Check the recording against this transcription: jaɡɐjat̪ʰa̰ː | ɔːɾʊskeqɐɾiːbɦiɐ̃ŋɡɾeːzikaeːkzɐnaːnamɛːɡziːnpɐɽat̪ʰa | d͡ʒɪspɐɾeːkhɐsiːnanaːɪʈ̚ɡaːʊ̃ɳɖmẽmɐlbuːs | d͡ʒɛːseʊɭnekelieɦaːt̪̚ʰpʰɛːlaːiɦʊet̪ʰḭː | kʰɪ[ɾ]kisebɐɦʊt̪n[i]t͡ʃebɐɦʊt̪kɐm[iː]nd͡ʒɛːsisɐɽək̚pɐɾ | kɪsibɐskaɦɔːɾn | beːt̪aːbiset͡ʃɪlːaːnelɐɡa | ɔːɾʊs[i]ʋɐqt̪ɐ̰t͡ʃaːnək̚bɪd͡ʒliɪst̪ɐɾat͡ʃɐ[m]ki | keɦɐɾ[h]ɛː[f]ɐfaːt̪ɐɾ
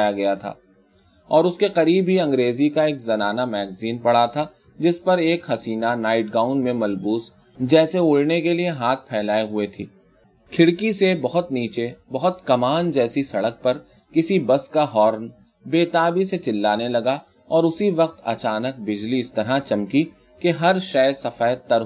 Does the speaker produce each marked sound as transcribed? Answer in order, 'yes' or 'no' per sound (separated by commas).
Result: no, no, no, yes, yes, no, no